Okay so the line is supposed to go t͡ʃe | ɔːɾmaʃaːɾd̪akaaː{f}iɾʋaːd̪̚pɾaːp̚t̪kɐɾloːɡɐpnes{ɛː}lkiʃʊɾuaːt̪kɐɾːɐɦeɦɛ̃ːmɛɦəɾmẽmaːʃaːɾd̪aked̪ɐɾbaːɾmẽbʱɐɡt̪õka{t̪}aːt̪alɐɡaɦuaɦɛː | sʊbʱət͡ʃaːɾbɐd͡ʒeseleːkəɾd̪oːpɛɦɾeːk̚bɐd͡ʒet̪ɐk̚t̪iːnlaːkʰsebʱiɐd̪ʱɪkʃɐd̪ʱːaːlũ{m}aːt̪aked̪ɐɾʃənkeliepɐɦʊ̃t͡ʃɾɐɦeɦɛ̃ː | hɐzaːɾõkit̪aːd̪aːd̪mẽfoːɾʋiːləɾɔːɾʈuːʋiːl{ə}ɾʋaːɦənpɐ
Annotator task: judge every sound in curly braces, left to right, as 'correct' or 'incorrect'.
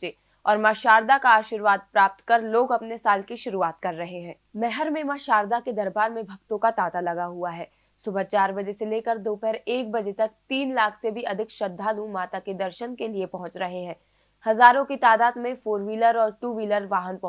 incorrect, incorrect, correct, correct, correct

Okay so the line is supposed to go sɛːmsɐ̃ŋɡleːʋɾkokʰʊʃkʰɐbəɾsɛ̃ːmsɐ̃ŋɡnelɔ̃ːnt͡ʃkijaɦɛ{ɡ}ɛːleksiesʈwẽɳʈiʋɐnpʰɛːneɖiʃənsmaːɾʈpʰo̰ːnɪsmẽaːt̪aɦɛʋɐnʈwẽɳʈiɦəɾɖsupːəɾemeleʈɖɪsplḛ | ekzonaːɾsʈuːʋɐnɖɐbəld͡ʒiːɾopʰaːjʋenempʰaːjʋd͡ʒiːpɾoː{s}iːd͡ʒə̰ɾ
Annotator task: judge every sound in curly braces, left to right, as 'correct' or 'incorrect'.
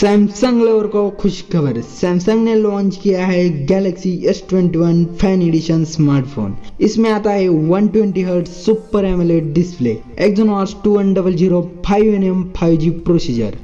correct, correct

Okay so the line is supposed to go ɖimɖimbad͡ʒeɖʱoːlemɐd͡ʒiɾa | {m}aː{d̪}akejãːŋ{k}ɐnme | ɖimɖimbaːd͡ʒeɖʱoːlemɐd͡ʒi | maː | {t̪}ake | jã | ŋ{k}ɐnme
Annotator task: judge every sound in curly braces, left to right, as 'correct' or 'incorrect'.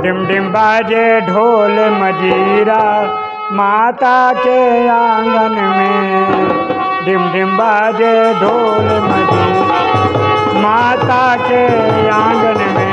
correct, incorrect, incorrect, correct, incorrect

